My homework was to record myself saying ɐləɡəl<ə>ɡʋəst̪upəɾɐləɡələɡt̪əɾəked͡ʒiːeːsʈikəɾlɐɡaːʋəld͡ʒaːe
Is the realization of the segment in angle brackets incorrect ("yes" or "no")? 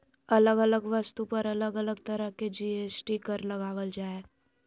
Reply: no